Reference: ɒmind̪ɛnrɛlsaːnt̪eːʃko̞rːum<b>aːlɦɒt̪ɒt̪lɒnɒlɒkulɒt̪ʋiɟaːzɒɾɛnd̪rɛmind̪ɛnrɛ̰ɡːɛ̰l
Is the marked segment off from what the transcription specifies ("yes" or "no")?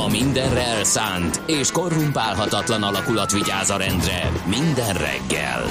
yes